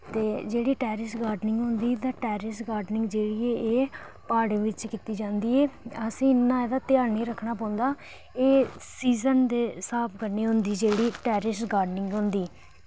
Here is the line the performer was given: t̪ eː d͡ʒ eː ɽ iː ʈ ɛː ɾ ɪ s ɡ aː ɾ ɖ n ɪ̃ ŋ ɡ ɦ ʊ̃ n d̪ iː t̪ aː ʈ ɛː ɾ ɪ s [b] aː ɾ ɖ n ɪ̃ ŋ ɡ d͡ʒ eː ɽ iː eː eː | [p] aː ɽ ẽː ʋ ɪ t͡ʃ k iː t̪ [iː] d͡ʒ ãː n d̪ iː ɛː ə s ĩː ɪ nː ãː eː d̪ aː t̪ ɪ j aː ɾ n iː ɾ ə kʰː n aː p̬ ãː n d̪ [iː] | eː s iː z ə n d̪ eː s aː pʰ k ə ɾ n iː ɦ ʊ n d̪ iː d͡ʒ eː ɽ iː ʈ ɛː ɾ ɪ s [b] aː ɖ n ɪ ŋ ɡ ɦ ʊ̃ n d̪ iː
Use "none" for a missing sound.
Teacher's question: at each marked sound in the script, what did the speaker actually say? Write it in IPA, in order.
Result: ɡ, p, iː, aː, ɡ

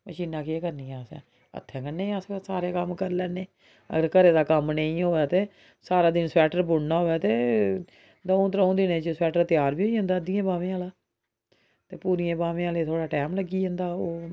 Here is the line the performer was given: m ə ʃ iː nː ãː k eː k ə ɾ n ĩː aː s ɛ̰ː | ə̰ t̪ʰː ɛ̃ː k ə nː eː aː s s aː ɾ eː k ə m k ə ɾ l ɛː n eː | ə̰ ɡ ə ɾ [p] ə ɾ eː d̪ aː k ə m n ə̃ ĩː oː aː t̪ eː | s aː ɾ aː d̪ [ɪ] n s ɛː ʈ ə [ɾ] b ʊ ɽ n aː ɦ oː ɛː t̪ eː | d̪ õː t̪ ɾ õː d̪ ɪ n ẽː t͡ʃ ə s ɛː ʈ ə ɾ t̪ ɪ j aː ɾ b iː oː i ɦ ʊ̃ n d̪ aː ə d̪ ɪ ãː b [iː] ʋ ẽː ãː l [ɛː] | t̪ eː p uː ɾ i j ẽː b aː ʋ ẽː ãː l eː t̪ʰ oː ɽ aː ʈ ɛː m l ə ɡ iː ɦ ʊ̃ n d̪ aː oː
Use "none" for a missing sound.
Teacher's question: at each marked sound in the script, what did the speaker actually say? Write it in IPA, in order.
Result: k, ɪ, ɾ, aː, aː

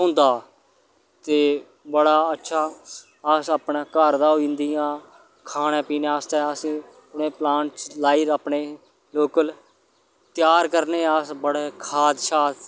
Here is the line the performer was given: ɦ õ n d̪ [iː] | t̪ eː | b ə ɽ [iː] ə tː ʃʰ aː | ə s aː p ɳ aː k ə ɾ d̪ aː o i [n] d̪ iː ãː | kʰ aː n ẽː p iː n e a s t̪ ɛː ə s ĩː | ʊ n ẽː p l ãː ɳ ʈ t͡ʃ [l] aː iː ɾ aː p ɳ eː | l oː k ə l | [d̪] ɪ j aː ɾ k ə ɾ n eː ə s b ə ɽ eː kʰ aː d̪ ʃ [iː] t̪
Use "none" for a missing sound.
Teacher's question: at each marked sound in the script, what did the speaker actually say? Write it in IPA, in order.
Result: aː, aː, n, l, t̪, aː

